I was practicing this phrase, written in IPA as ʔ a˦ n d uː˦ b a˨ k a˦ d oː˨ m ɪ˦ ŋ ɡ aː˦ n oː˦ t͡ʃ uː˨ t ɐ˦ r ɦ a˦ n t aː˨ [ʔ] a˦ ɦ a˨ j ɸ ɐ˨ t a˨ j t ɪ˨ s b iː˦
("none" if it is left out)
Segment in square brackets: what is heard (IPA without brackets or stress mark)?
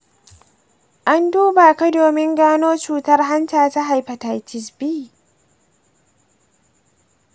t